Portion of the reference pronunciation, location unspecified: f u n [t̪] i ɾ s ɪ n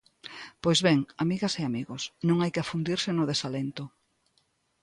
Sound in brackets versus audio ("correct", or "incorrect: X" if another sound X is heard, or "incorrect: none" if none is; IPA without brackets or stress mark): incorrect: d̪